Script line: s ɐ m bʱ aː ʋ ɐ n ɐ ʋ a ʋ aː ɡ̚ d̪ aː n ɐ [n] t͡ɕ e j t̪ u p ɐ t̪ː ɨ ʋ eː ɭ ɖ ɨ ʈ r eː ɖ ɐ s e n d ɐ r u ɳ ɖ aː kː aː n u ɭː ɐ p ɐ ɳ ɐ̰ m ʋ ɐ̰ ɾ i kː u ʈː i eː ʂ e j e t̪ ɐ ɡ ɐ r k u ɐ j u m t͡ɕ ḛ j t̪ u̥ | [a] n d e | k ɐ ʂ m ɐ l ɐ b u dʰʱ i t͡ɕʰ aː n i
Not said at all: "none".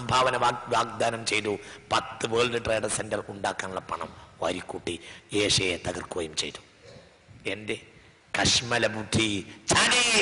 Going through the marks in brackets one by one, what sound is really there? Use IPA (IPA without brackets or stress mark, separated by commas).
m, e